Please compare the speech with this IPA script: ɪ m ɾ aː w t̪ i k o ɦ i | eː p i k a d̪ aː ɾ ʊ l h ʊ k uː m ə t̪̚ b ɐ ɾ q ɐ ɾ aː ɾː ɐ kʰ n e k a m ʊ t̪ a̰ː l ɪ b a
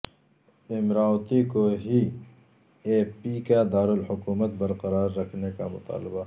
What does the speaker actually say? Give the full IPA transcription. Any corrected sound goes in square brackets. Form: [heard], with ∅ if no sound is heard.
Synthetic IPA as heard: ɪ m ɾ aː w t̪ i k o ɦ i | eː p i k a d̪ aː ɾ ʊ l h ʊ k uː m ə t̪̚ b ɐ ɾ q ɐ ɾ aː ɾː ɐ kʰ n e k a m ʊ t̪ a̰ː l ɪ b a